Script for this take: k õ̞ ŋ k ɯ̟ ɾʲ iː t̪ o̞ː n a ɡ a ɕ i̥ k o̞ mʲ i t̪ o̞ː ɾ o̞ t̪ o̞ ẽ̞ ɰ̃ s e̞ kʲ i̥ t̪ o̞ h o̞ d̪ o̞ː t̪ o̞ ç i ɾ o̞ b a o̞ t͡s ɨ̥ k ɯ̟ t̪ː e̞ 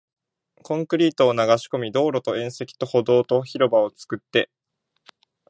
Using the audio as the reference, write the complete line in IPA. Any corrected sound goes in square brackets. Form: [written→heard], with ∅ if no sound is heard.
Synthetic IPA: k õ̞ ŋ k ɯ̟ ɾʲ iː t̪ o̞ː n a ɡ a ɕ i̥ k o̞ mʲ i [t̪→d̪] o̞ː ɾ o̞ t̪ o̞ ẽ̞ ɰ̃ s e̞ kʲ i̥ t̪ o̞ h o̞ d̪ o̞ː t̪ o̞ ç i ɾ o̞ b a o̞ t͡s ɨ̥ k ɯ̟ t̪ː e̞